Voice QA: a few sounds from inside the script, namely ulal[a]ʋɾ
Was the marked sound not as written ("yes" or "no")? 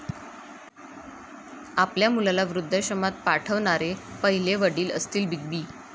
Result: no